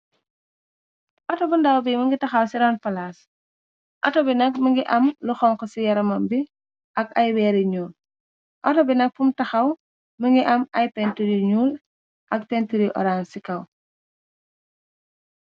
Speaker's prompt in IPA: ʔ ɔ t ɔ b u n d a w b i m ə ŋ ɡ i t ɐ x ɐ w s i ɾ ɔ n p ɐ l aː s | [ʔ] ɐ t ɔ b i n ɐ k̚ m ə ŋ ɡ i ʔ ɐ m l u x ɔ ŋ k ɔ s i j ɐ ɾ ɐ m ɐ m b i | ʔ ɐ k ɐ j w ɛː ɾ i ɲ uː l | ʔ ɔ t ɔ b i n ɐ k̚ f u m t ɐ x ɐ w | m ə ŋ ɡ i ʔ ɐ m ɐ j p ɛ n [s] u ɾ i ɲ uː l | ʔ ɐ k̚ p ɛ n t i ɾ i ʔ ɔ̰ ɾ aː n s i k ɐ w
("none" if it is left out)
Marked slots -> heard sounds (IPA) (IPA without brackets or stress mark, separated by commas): ʔ, t